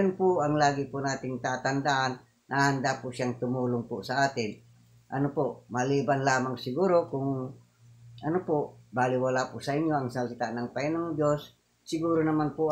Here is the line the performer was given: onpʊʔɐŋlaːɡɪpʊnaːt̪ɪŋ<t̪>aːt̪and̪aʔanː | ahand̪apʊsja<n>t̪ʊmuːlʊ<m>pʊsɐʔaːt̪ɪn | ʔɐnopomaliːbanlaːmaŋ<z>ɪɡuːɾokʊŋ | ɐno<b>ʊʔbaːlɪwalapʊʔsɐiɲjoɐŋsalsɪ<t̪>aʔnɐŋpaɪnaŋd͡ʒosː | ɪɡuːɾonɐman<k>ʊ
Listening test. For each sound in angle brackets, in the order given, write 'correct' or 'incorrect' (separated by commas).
correct, incorrect, incorrect, incorrect, incorrect, correct, incorrect